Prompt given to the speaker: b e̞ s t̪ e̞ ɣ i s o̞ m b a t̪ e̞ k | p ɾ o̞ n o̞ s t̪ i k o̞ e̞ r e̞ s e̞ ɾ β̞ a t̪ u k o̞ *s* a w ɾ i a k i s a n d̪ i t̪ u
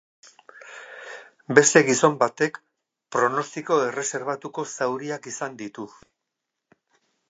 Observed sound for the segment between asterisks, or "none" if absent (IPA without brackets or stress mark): s